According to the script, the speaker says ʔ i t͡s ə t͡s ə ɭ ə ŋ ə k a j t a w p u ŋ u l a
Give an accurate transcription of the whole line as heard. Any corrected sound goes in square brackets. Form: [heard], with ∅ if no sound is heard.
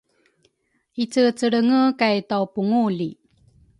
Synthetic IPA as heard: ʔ i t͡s ə t͡s ə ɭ ə ŋ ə k a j t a w p u ŋ u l [i]

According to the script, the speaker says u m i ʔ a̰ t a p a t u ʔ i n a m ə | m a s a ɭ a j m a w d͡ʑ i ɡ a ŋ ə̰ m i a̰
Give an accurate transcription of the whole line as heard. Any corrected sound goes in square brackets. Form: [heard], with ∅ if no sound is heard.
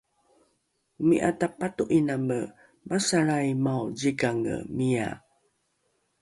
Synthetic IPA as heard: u m i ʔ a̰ t a p a t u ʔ i n a m ə | m a s a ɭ a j m a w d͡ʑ i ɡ a ŋ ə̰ m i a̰

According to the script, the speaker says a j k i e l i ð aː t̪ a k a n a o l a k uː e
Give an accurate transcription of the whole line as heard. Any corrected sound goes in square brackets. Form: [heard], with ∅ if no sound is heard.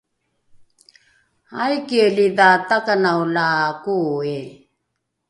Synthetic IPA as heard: a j k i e l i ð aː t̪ a k a n a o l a k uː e

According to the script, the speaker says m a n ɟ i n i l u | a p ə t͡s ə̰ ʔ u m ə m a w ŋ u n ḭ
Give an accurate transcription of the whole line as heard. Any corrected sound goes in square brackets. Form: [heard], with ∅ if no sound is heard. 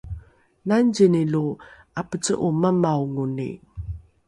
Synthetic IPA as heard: [n] a n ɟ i n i l u | a p ə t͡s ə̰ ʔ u m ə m a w ŋ u n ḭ

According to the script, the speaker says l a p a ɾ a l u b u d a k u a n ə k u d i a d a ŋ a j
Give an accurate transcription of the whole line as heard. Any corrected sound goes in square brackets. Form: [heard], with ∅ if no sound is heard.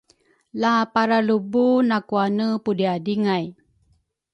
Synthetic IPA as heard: l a p a ɾ a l u b u [n] a k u a n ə [p] u d i a d [i] ŋ a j

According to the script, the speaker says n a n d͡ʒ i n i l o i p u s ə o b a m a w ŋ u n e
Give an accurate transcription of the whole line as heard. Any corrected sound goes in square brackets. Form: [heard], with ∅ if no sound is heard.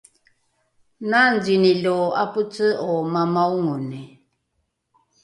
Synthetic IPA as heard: n a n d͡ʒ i n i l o [a] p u [t͡s] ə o [m] a m a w ŋ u n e

